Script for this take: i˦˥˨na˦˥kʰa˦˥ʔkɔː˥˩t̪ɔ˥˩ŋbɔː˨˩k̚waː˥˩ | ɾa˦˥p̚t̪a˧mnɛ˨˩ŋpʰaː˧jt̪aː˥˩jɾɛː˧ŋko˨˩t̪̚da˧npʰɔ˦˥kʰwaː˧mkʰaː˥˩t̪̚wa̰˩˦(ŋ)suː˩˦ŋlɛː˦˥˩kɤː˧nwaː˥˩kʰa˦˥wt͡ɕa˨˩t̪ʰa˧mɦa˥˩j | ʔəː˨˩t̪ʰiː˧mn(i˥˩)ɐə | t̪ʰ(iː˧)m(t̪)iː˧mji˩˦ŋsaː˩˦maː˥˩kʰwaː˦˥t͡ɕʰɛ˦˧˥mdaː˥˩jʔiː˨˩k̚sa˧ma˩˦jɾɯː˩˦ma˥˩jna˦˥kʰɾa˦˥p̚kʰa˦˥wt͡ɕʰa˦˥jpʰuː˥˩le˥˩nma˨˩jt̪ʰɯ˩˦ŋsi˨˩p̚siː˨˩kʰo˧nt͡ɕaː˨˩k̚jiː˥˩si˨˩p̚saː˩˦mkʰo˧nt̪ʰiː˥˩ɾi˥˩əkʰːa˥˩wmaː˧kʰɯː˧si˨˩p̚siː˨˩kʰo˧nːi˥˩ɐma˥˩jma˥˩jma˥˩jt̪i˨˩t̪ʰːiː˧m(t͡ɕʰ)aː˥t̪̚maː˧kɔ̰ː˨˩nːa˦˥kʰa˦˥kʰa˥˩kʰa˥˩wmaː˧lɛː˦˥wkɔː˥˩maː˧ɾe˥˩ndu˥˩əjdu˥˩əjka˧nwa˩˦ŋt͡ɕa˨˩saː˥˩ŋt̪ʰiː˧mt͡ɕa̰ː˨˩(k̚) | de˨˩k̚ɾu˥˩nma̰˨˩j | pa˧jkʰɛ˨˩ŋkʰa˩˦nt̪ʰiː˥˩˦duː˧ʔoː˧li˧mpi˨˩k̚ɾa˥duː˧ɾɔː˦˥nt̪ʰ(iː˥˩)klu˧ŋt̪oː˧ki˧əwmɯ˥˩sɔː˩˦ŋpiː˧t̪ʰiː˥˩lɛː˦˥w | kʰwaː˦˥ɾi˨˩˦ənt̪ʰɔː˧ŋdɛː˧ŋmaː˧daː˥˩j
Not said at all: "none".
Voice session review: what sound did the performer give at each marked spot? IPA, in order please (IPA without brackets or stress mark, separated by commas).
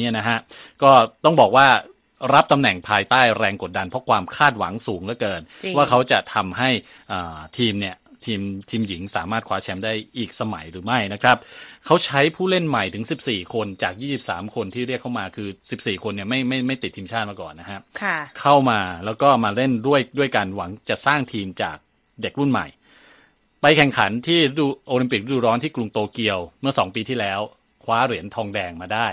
ŋ, i˥˩, iː˧, t̪ʰ, t͡ɕʰ, k̚, iː˥˩